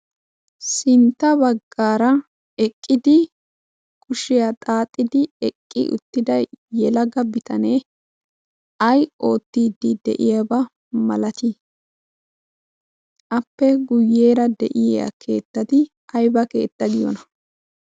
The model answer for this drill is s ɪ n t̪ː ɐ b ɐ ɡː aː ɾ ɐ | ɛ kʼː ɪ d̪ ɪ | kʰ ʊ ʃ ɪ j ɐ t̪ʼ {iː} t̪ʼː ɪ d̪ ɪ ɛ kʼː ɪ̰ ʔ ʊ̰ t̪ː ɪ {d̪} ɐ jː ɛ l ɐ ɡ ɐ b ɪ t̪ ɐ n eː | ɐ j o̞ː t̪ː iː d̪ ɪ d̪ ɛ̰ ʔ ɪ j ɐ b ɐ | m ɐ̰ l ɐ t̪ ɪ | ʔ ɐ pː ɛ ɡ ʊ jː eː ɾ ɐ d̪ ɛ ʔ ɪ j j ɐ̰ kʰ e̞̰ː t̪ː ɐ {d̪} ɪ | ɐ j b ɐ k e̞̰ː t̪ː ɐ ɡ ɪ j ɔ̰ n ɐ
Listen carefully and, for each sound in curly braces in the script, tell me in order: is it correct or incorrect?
incorrect, correct, incorrect

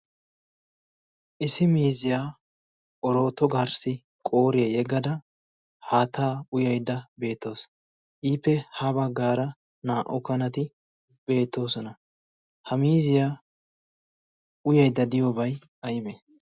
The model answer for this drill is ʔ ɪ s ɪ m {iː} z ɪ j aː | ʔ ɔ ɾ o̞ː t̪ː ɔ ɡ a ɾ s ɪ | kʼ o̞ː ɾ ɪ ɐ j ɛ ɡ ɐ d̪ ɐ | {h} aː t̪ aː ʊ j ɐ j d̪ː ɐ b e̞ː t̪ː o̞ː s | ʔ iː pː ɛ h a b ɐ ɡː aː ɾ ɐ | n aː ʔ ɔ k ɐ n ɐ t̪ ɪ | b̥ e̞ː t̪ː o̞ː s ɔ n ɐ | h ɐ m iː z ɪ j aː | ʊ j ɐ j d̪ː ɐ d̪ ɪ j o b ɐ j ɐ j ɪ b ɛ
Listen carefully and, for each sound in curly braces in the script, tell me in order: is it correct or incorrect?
correct, correct

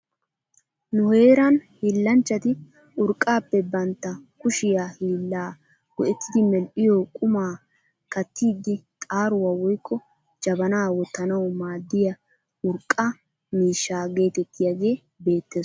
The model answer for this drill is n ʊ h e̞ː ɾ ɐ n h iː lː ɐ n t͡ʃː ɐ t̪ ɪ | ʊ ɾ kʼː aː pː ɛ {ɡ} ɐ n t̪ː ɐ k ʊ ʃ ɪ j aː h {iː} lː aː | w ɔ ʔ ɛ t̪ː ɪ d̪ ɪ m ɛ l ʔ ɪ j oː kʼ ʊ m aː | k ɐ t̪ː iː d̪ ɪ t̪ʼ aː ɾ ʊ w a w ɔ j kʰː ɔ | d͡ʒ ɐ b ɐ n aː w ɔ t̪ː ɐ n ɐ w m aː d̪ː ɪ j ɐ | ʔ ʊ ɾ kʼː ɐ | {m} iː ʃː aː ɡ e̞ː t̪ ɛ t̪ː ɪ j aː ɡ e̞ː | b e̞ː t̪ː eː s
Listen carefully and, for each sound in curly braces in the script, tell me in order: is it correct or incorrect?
incorrect, correct, correct

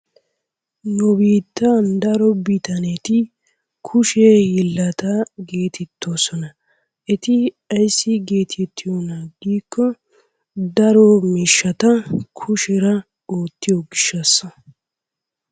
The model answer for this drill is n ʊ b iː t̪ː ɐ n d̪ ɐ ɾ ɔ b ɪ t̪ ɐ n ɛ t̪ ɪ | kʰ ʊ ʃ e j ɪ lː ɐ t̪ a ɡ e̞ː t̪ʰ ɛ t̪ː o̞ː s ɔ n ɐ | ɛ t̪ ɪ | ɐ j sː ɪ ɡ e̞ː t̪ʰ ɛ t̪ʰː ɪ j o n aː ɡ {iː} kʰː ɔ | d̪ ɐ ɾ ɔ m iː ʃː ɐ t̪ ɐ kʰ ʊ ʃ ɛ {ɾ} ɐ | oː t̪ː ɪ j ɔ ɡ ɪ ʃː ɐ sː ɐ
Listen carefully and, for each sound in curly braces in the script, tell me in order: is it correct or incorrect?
correct, correct

